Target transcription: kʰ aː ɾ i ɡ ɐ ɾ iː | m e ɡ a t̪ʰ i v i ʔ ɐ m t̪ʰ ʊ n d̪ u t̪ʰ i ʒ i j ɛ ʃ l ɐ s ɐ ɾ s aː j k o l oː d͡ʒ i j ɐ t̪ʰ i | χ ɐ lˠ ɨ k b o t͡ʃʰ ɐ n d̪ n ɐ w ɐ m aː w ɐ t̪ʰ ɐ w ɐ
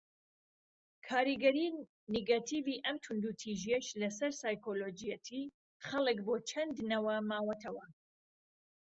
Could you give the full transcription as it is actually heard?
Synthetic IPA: kʰ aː ɾ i ɡ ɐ ɾ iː | n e ɡ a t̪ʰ i v i ʔ ɐ m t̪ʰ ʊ n d̪ u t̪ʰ i ʒ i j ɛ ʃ l ɐ s ɐ ɾ s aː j k o l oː d͡ʒ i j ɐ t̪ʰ i | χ ɐ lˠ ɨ k b o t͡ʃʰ ɐ n d̪ n ɐ w ɐ m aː w ɐ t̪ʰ ɐ w ɐ